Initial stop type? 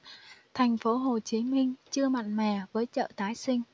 aspirated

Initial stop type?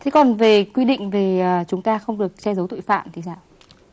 aspirated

